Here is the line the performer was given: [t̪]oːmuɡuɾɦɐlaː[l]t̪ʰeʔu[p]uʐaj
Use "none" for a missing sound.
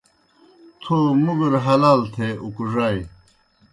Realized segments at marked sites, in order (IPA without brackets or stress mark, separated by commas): t̪ʰ, l, k